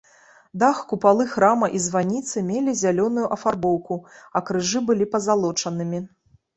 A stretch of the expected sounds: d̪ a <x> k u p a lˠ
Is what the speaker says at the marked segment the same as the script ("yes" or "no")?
yes